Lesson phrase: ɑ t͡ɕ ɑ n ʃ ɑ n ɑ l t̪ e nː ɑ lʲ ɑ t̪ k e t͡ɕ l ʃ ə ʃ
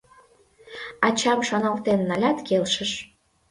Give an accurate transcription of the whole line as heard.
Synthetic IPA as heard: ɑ t͡ɕ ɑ m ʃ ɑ n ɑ l t̪ e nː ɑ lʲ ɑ t̪ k e l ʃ ə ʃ